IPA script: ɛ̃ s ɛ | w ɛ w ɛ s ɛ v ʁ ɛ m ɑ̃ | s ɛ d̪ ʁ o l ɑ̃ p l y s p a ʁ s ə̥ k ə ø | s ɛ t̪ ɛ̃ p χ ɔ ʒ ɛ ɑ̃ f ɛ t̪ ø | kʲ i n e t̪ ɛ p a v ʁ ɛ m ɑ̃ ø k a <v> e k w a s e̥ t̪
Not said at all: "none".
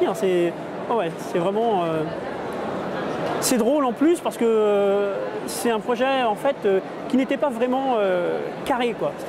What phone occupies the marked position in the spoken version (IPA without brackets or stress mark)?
ʁ